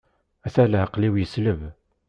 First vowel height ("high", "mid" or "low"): low